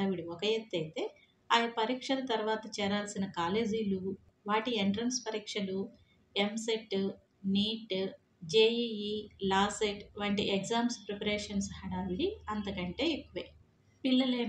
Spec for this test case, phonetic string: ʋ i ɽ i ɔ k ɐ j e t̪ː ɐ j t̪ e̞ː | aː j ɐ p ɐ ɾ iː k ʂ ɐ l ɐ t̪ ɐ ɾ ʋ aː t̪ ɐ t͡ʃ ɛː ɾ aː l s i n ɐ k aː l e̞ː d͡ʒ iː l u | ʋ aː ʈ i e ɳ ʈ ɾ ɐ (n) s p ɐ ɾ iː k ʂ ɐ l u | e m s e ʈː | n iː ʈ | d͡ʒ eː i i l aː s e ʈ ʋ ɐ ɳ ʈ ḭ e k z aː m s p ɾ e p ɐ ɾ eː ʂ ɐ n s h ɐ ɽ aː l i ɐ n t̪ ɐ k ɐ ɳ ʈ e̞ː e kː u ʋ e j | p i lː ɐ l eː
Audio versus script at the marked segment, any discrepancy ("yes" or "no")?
no